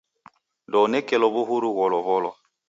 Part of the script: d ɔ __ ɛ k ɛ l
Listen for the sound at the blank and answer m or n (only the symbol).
n